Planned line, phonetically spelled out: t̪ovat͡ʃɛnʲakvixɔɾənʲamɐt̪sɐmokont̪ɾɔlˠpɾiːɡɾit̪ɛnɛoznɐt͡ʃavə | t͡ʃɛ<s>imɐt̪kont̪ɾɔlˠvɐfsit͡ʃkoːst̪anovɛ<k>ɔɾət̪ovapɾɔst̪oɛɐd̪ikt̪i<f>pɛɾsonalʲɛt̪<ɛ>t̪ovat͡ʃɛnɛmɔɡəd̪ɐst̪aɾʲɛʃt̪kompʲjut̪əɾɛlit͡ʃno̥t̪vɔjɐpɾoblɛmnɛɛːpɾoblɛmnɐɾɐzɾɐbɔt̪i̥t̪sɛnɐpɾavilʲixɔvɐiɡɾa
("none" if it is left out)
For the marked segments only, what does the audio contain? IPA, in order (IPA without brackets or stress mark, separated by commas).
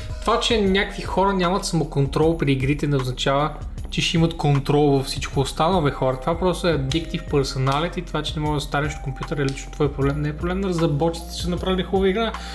ʃ, x, f, i